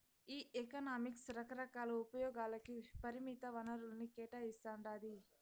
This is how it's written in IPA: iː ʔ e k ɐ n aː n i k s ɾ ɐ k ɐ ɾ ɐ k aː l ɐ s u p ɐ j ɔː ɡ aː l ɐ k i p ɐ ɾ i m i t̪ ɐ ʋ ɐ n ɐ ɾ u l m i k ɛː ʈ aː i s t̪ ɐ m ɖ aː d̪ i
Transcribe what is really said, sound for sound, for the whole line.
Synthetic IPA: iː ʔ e k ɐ n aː m i k s ɾ ɐ k ɐ ɾ ɐ k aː l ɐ u p ɐ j ɔː ɡ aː l ɐ k i p ɐ ɾ i m i t̪ ɐ ʋ ɐ n ɐ ɾ u l n i k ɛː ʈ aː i s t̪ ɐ ɳ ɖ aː d̪ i